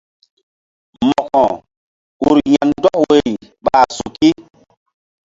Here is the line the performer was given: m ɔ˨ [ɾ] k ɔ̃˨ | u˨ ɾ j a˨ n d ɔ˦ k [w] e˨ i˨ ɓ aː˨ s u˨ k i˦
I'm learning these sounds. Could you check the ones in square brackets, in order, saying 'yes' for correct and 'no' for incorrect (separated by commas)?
no, yes